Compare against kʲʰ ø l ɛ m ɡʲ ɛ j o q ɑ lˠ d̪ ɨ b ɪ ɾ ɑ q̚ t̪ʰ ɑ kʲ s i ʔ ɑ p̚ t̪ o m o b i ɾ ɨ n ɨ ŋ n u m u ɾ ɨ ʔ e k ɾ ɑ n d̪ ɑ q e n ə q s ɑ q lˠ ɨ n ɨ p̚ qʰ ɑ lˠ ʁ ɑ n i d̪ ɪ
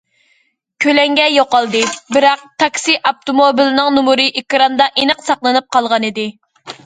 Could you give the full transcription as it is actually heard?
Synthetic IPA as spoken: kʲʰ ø l ɛ ŋ ɡʲ ɛ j o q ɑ lˠ d̪ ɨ b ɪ ɾ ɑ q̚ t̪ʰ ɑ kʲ s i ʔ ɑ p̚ t̪ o m o b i l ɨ n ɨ ŋ n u m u ɾ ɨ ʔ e k ɾ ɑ n d̪ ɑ ʔ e n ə q s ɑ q lˠ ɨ n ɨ p̚ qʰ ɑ lˠ ʁ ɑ n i d̪ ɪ